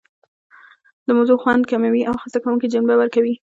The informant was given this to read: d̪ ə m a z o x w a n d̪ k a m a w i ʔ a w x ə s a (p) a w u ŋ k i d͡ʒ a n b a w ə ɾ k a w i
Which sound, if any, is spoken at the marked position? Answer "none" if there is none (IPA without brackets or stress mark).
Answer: k